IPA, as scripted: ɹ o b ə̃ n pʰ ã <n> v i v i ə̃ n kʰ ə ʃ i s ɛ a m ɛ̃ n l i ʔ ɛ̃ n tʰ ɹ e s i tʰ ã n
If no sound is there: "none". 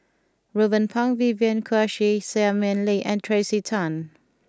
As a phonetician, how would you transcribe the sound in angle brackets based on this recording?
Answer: ŋ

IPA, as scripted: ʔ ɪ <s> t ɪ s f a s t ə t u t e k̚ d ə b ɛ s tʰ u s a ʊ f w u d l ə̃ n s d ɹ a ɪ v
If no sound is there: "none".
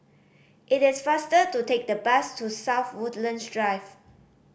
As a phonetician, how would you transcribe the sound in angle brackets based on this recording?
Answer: none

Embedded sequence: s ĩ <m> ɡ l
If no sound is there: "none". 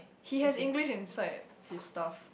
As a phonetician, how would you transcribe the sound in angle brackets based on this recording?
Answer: ŋ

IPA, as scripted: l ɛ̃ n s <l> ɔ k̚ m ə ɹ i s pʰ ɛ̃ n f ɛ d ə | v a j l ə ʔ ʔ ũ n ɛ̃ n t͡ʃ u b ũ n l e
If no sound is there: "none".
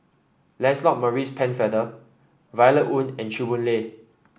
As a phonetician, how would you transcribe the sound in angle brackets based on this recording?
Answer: l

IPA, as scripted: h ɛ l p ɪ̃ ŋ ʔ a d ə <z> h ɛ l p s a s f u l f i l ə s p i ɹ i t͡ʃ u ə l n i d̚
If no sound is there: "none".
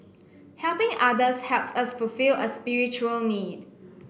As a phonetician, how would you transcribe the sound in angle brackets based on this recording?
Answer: s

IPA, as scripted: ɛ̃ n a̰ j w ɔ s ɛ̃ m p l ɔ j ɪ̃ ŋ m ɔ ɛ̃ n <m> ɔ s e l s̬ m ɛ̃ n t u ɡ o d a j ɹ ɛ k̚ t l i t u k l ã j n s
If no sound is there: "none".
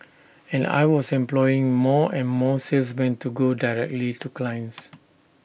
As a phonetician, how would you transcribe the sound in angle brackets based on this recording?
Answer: m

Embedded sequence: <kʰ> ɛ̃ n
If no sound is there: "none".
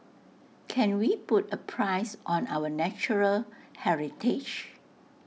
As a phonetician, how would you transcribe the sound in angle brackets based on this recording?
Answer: kʰ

